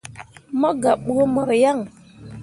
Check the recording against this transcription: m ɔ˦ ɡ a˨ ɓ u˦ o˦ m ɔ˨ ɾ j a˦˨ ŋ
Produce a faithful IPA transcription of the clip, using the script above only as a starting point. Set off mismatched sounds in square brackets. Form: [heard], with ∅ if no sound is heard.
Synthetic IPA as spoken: m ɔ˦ ɡ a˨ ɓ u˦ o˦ m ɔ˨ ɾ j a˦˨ ŋ